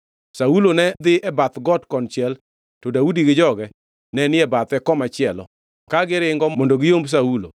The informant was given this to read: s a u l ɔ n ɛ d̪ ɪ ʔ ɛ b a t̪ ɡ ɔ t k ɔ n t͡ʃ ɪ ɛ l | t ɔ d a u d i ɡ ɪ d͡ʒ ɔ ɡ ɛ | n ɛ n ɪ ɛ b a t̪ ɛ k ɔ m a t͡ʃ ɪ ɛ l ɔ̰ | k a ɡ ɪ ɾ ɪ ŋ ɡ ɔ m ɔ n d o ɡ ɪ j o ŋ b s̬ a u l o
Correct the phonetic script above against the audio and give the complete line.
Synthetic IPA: s a u l o n ɛ d̪ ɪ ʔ ɛ b a t̪ ɡ ɔ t k ɔ n t͡ʃ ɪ ɛ l | t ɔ d a u d i ɡ ɪ d͡ʒ ɔ ɡ ɛ | n ɛ n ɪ ɛ b a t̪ ɛ k ɔ m a t͡ʃ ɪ ɛ l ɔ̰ | k a ɡ ɪ ɾ ɪ ŋ ɡ ɔ m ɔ n d o ɡ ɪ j o m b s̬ a u l o